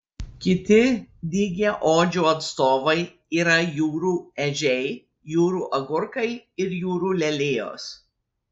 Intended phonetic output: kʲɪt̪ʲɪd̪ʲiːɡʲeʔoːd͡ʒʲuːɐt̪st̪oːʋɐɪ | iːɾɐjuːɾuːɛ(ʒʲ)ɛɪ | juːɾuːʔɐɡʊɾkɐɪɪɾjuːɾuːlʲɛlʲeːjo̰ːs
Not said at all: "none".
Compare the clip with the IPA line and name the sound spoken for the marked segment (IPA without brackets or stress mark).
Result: ʒʲ